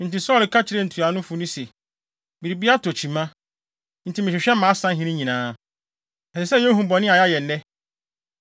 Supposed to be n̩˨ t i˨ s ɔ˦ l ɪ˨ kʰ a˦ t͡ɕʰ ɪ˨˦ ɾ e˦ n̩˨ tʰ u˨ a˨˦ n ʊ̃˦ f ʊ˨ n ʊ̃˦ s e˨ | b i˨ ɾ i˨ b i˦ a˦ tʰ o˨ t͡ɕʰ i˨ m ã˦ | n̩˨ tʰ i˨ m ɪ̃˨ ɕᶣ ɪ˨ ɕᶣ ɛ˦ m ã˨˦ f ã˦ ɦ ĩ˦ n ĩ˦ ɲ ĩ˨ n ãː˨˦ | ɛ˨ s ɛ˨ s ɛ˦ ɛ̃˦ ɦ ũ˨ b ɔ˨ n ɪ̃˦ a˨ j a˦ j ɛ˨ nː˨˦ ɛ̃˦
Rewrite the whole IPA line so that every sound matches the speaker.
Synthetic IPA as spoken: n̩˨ t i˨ s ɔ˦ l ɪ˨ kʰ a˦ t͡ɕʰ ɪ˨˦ ɾ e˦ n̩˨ tʰ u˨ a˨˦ n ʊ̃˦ f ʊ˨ n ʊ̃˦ s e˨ | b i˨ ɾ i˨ b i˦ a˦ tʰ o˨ t͡ɕʰ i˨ m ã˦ | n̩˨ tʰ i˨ m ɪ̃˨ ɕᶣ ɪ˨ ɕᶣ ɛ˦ m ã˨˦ s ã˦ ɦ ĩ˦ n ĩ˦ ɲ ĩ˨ n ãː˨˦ | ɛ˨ s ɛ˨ s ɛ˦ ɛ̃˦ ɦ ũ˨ b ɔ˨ n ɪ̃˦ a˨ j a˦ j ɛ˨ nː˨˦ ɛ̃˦